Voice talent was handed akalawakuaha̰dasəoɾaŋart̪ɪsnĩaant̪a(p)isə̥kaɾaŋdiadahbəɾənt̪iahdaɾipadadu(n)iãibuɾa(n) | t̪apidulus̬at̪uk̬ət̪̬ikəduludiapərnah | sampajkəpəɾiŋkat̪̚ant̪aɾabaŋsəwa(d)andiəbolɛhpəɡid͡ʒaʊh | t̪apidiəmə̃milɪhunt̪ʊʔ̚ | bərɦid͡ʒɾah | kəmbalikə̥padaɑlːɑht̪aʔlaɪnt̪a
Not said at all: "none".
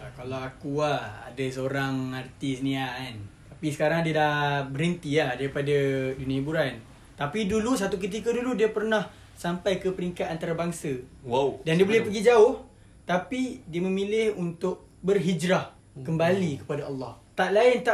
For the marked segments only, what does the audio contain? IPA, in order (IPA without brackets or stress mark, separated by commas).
p, n, n, d